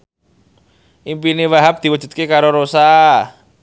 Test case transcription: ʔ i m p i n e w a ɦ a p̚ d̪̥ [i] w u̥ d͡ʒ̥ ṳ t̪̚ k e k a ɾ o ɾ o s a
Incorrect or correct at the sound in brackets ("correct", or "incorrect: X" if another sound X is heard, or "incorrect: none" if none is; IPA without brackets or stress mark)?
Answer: correct